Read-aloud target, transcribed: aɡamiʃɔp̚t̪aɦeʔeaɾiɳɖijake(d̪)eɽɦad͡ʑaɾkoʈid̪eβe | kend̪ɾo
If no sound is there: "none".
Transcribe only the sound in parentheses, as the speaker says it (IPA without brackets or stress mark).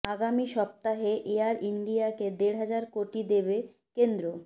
d̪